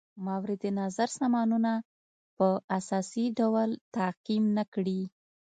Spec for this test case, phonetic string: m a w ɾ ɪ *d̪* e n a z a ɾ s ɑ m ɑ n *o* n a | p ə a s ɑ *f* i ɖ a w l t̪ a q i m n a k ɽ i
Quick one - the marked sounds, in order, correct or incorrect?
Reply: correct, incorrect, incorrect

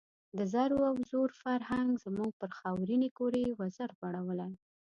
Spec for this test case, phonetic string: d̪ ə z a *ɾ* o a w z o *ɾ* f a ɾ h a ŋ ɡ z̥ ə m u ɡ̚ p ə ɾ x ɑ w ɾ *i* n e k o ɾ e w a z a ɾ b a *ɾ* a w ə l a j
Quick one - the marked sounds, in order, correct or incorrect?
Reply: correct, correct, correct, incorrect

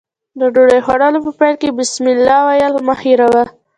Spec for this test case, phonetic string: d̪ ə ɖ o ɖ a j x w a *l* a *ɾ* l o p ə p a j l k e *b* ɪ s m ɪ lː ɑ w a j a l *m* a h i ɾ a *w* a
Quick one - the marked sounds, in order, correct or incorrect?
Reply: incorrect, incorrect, correct, correct, correct

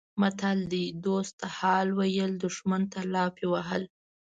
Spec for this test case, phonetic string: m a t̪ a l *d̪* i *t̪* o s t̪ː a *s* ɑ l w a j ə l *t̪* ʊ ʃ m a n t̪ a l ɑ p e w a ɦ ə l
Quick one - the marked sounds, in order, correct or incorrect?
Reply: correct, incorrect, incorrect, incorrect

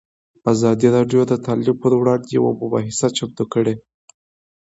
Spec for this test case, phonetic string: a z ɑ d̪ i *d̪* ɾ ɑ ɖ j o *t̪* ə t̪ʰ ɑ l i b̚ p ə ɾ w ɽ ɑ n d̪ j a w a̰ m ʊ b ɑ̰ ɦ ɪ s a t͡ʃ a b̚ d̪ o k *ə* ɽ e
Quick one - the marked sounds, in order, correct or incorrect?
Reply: incorrect, incorrect, correct

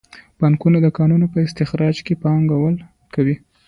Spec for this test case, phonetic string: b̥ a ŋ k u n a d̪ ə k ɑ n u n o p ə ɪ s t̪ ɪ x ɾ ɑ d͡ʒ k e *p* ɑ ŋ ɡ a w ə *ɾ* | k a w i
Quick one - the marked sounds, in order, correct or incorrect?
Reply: correct, incorrect

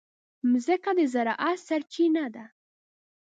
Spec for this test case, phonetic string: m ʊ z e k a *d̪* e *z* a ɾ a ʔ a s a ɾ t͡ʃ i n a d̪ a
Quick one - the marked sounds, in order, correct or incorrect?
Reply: correct, correct

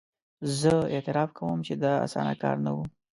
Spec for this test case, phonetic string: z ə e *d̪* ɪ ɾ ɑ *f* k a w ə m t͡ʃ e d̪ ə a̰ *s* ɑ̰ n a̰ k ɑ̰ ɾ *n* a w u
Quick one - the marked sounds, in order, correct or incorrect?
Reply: incorrect, correct, correct, correct

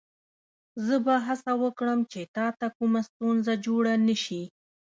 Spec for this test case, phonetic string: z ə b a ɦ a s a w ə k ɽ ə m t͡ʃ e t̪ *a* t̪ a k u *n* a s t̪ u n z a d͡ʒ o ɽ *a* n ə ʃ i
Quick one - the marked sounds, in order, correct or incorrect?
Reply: incorrect, incorrect, correct

